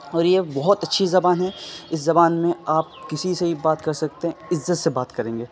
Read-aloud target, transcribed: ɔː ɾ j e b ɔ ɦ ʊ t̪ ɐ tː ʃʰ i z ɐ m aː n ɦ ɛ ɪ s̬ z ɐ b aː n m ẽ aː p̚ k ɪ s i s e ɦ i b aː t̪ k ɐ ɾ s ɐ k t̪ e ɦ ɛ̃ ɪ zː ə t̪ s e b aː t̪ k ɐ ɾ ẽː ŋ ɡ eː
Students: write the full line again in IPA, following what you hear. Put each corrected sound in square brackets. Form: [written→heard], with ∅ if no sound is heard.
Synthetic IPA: ɔː ɾ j e b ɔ ɦ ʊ t̪ ɐ tː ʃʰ i z ɐ [m→b] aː n ɦ ɛ ɪ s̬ z ɐ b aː n m ẽ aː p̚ k ɪ s i s e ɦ i b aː t̪ k ɐ ɾ s ɐ k t̪ e ɦ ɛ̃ ɪ zː ə t̪ s e b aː t̪ k ɐ ɾ ẽː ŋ ɡ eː